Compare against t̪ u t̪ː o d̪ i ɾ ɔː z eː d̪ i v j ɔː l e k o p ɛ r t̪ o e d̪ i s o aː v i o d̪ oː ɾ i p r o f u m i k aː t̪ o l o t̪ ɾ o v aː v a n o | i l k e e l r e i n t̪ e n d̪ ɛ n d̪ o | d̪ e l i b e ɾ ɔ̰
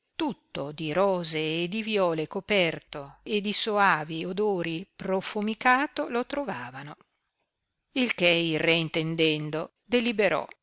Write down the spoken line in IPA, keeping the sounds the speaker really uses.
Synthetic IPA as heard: t̪ u t̪ː o d̪ i ɾ ɔː z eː d̪ i v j ɔː l e k o p ɛ r t̪ o e d̪ i s o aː v i o d̪ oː ɾ i p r o f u m i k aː t̪ o l o t̪ ɾ o v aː v a n o | i l k e i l r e i n t̪ e n d̪ ɛ n d̪ o | d̪ e l i b e ɾ ɔ̰

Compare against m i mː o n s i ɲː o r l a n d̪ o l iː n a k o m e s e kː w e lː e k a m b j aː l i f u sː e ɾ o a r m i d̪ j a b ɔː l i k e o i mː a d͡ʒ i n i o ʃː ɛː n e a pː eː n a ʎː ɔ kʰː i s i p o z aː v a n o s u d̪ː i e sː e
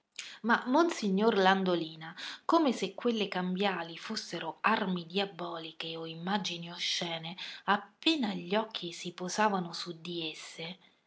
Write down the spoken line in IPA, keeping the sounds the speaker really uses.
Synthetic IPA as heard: m a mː o n s i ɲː o r l a n d̪ o l iː n a k o m e s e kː w e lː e k a m b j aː l i f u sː e ɾ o a r m i d̪ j a b ɔː l i k e o i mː a d͡ʒ i n i o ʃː ɛː n e a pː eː n a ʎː ɔ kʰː i s i p o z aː v a n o s u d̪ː i e sː e

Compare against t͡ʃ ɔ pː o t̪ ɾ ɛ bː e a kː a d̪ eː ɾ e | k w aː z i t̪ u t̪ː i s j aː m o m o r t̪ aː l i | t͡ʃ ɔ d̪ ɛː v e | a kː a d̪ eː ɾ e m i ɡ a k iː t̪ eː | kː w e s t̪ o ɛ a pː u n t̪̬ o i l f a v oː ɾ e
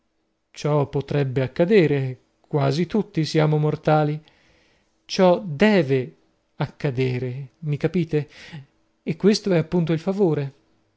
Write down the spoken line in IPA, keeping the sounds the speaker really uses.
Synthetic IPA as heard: t͡ʃ ɔ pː o t̪ ɾ ɛ bː e a kː a d̪ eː ɾ e | k w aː z i t̪ u t̪ː i s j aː m o m o r t̪ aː l i | t͡ʃ ɔ d̪ ɛː v e | a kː a d̪ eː ɾ e m i k a p iː t̪ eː | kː w e s t̪ o ɛ a pː u n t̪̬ o i l f a v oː ɾ e

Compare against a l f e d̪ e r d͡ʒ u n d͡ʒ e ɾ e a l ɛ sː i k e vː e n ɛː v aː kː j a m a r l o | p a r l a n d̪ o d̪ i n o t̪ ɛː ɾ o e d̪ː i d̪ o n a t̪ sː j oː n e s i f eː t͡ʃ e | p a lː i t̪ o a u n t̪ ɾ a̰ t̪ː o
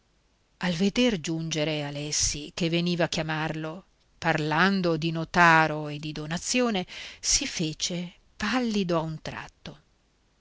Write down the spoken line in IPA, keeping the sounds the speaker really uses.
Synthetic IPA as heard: a l v e d̪ e r d͡ʒ u n d͡ʒ e ɾ e a l ɛ sː i k e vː e n iː v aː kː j a m a r l o | p a r l a n d̪ o d̪ i n o t̪ aː ɾ o e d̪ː i d̪ o n a t̪ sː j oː n e s i f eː t͡ʃ e | p a lː i d̪ o a u n t̪ ɾ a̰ t̪ː o

